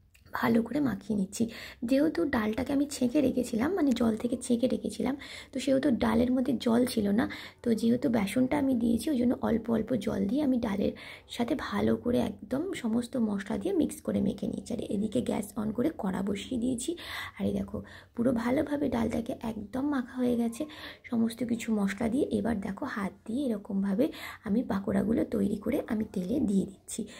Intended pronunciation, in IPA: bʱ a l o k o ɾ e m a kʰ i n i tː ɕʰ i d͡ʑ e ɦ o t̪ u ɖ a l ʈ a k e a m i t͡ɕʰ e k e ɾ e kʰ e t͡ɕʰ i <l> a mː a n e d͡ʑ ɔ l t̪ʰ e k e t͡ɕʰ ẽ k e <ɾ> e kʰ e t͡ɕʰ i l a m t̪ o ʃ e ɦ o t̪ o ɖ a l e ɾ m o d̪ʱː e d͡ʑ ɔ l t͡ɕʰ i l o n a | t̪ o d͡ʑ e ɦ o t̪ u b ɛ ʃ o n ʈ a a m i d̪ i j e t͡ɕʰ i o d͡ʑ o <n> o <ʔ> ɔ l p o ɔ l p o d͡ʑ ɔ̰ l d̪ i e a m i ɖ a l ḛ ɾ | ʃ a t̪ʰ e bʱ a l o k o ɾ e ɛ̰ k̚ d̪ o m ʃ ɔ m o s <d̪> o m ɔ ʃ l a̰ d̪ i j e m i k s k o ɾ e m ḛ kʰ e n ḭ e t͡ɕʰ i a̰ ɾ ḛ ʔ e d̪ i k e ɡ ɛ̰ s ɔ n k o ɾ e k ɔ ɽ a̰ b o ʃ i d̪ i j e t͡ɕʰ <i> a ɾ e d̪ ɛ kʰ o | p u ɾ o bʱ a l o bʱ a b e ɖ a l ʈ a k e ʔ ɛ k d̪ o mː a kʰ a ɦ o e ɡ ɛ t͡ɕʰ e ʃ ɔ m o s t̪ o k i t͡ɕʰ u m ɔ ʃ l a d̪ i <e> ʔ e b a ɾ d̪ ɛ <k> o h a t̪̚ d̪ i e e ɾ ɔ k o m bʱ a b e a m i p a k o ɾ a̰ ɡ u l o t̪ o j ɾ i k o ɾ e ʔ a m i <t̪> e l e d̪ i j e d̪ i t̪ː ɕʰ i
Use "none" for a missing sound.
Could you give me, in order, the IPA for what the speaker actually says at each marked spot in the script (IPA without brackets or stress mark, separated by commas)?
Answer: l, ɾ, nː, ʔ, t̪, i, e, kʰ, t̪